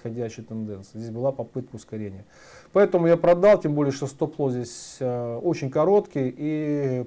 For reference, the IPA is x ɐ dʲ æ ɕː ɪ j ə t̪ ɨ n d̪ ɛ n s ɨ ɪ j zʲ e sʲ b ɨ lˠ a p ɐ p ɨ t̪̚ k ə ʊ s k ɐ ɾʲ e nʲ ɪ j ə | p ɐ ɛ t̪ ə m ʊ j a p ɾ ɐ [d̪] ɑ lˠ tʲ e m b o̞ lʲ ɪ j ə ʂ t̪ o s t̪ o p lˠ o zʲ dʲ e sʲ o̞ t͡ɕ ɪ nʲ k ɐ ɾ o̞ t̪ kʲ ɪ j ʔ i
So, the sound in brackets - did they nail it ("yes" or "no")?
yes